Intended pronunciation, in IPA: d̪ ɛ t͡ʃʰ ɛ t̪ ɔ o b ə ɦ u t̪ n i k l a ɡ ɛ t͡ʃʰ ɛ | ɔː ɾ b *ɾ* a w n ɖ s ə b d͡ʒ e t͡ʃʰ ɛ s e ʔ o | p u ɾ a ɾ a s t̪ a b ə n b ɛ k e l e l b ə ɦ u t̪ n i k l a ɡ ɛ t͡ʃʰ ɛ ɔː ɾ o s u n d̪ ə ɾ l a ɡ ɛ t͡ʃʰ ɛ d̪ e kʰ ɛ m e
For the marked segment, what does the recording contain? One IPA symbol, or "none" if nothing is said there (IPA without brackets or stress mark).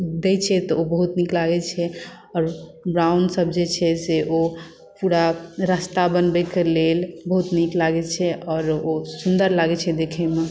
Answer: ɾ